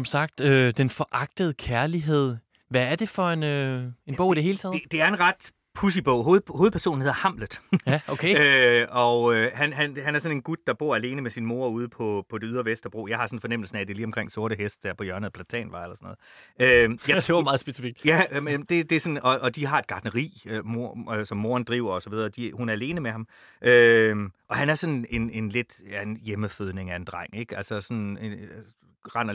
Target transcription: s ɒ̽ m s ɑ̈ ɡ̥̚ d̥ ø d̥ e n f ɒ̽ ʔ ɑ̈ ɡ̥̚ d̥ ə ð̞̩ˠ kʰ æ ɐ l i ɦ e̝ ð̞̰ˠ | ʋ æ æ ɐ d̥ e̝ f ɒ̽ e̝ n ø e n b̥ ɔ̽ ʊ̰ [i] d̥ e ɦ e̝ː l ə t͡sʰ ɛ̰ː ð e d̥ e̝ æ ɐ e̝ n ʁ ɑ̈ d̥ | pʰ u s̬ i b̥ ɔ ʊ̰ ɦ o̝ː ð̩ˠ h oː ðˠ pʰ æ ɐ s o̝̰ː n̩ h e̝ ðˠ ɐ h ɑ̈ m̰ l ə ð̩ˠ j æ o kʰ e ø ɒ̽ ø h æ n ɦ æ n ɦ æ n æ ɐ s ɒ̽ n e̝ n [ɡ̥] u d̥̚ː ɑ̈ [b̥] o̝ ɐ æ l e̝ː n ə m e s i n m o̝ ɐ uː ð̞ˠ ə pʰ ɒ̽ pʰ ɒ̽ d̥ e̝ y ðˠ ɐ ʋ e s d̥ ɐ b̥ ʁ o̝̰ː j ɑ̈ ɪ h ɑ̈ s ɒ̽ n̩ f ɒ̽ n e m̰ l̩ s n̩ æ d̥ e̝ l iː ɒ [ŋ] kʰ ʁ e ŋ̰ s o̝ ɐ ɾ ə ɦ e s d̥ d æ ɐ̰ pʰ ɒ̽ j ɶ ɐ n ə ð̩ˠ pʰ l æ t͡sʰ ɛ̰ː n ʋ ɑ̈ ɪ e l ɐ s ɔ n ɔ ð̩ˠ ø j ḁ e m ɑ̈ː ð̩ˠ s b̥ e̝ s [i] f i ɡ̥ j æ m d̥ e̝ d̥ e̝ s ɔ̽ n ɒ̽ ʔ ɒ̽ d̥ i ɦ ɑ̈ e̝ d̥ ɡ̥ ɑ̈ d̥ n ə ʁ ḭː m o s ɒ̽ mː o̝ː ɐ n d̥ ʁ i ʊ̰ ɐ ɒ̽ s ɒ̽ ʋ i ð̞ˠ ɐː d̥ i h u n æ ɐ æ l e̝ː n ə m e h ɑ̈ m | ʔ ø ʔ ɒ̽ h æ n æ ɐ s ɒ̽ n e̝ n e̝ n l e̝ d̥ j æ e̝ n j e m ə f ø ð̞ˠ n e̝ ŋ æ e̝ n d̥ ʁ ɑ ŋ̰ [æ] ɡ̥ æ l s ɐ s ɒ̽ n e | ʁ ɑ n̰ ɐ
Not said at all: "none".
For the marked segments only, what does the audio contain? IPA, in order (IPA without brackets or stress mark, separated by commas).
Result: i, ɡ̥, b̥, m, i, e